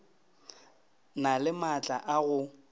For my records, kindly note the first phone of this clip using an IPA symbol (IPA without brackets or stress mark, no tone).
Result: n